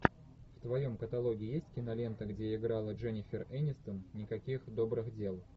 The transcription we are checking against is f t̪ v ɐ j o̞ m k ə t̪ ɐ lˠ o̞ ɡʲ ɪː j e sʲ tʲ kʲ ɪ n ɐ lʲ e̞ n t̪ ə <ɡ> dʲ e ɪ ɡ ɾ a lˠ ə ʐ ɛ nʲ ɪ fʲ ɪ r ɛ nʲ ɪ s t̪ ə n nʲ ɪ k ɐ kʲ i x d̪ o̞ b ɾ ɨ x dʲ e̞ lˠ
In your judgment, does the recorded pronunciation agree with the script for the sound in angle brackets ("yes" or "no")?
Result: yes